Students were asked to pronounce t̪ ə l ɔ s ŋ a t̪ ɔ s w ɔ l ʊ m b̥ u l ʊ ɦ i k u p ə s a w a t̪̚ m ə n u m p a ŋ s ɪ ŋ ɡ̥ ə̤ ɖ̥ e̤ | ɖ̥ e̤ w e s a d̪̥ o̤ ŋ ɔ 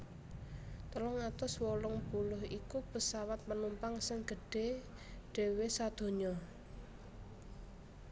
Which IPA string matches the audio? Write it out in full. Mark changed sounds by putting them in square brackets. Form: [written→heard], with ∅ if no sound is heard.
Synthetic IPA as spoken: t̪ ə l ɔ [s→∅] ŋ a t̪ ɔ s w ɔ l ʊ [m→ŋ] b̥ u l ʊ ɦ i k u p ə s a w a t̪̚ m ə n u m p a ŋ s ɪ ŋ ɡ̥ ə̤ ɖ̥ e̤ | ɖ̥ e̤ w e s a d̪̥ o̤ [ŋ→ɲ] ɔ